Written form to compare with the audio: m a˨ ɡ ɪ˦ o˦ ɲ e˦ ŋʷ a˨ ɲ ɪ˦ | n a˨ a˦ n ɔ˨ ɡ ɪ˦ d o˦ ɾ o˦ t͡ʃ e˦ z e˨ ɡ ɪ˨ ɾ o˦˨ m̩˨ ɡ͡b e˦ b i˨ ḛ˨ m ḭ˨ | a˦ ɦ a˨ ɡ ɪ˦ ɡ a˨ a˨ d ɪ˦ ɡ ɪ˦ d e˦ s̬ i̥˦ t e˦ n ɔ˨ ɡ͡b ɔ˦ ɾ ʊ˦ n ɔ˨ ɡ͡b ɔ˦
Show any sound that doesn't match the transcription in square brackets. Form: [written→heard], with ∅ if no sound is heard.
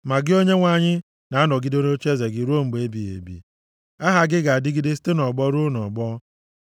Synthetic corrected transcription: m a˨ ɡ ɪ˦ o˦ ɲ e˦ ŋʷ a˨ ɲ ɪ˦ | n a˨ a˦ n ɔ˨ ɡ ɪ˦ d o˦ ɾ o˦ t͡ʃ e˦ z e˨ ɡ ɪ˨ ɾ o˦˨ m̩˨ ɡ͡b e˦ b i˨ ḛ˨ [m→b] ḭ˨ | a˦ ɦ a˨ ɡ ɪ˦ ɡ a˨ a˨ d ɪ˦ ɡ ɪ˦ d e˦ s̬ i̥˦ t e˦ n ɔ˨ ɡ͡b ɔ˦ ɾ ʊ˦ n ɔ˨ ɡ͡b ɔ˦

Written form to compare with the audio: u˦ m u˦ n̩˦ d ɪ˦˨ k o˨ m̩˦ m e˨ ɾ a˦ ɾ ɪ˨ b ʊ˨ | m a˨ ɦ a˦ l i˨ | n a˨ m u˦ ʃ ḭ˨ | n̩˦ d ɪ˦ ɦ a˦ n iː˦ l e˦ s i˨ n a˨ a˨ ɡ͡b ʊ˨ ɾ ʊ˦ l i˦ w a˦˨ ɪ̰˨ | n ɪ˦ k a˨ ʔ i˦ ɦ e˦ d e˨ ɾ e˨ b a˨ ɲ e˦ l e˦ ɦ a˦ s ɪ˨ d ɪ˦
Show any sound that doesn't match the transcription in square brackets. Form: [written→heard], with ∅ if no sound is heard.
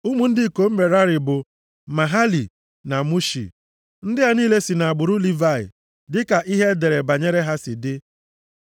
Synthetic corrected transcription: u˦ m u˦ n̩˦ d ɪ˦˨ k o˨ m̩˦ m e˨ ɾ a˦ ɾ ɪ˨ b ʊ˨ | m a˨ ɦ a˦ l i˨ | n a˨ m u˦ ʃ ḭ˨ | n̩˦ d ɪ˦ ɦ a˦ n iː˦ l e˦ s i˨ n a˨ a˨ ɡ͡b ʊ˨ ɾ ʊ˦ l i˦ [w→v] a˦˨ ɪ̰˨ | [n→d] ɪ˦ k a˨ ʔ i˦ ɦ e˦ d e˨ ɾ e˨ b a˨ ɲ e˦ [l→ɾ] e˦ ɦ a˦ s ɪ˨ d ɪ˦

